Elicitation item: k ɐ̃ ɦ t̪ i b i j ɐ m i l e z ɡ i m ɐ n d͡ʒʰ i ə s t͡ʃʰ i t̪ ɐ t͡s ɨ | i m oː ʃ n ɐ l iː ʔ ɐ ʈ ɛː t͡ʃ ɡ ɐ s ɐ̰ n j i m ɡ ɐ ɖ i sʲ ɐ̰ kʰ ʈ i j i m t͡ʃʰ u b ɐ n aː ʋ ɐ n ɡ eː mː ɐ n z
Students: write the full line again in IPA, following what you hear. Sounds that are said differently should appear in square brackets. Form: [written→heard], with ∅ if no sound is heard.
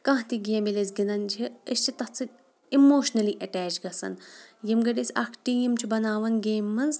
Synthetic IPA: k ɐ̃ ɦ t̪ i [b→ɡ] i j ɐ m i l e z ɡ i [m→n] ɐ n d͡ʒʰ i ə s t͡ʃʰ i t̪ ɐ t͡s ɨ | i m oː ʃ n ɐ l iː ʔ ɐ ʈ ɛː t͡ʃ ɡ ɐ s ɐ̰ n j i m ɡ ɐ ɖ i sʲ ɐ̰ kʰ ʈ i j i m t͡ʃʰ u b ɐ n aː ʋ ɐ n ɡ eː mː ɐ n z